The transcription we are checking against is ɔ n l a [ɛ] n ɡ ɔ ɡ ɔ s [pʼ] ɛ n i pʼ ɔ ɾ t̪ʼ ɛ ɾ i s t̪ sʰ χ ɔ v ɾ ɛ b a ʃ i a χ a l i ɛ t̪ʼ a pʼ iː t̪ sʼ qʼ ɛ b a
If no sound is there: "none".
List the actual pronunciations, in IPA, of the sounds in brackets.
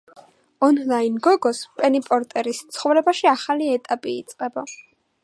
i, pʼ

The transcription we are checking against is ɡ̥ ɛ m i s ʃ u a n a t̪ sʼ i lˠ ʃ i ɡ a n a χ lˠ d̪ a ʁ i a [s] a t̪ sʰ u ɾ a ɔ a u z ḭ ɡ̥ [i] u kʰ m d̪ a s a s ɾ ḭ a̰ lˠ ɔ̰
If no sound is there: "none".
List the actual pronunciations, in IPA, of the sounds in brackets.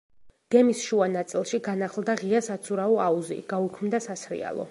s, a

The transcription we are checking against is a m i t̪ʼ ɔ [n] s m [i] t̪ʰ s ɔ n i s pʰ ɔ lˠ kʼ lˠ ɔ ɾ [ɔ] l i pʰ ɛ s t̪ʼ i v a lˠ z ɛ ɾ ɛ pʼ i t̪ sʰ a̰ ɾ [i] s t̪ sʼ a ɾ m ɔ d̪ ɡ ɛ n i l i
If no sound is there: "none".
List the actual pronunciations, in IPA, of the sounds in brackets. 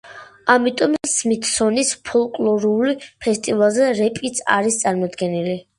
m, i, u, i

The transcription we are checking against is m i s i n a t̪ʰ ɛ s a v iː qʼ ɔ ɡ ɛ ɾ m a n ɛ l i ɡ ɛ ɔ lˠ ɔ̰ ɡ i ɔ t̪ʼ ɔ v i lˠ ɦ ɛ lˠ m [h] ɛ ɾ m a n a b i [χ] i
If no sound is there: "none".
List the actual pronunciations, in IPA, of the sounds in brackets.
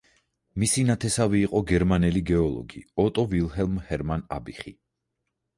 h, χ

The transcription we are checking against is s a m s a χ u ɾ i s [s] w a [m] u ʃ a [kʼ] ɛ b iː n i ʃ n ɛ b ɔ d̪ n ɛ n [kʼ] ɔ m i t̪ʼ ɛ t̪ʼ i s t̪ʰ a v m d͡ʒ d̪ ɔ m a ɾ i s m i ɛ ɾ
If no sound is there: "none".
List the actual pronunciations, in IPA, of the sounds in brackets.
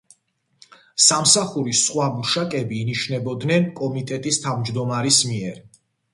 χ, m, kʼ, kʼ

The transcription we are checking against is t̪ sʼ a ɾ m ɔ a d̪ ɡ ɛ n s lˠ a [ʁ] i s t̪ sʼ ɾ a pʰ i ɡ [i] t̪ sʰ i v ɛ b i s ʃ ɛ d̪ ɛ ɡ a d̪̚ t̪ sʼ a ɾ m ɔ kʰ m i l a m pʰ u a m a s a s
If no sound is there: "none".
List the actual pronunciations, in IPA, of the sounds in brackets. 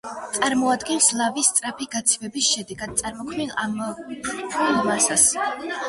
v, a

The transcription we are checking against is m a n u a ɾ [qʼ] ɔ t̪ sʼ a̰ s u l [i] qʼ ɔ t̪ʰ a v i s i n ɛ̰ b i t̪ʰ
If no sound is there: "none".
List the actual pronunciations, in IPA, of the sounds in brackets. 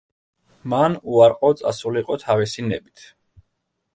qʼ, i

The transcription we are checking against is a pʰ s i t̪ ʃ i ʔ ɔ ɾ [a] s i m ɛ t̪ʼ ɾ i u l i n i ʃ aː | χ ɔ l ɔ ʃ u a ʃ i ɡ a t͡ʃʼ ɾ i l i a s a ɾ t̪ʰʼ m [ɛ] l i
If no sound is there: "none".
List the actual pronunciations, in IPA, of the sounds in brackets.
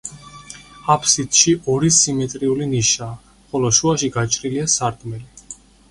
i, ɛ

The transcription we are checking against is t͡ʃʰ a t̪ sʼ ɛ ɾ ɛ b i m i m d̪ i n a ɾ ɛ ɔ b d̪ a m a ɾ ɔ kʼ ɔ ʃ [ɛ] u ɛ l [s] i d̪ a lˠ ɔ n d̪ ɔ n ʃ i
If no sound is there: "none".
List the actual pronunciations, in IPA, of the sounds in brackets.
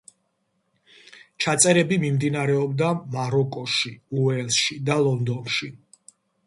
i, ʃ

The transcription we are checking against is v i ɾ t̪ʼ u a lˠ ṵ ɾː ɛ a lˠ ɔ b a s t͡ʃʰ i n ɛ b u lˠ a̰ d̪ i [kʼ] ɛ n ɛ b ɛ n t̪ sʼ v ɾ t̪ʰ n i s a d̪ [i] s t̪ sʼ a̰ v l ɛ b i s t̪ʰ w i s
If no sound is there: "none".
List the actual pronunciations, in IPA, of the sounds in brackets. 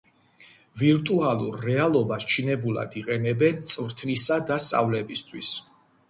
qʼ, a

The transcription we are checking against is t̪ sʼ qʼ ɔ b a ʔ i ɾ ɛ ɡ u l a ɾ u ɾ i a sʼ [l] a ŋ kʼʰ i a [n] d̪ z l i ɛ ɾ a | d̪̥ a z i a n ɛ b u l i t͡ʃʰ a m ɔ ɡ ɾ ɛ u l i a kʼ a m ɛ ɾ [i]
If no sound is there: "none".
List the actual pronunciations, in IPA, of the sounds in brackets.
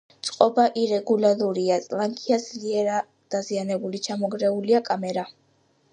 l, none, a

